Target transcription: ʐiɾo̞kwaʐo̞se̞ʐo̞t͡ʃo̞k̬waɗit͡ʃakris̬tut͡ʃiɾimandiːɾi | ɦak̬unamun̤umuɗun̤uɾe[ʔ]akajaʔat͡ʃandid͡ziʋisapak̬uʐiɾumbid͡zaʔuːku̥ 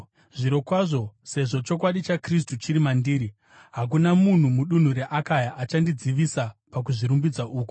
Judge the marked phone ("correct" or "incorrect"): correct